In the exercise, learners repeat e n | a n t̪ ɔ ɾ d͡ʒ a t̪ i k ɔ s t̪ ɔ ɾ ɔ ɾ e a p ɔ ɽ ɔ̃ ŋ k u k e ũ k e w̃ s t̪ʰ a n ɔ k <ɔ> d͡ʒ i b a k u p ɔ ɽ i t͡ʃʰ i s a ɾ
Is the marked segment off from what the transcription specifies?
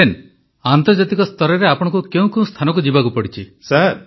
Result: yes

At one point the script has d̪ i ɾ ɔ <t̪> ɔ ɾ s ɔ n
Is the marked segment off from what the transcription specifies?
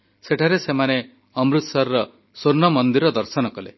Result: yes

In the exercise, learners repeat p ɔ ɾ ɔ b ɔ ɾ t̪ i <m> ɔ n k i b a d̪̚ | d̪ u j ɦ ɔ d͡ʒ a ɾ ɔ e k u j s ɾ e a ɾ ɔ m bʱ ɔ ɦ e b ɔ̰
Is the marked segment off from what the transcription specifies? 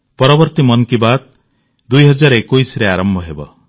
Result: no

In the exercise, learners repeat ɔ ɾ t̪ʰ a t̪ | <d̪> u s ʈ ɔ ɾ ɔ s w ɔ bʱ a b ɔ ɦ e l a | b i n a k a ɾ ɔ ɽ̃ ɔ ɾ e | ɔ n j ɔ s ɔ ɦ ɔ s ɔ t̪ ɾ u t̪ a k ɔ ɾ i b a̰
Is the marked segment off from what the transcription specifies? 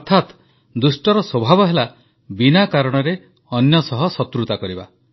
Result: no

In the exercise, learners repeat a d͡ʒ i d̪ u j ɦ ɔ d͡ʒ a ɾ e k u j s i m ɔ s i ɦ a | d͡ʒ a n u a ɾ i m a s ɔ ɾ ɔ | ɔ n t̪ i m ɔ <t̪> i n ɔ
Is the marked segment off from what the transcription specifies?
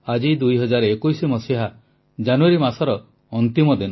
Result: yes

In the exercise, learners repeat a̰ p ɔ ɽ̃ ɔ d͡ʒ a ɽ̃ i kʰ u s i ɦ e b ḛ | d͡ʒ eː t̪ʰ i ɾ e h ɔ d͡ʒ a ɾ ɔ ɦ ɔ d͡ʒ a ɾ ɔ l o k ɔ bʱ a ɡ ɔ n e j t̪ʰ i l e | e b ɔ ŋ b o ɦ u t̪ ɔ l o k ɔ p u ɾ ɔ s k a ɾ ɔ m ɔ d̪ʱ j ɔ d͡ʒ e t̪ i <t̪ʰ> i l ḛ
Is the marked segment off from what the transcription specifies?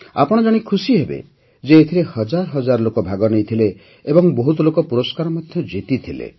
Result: no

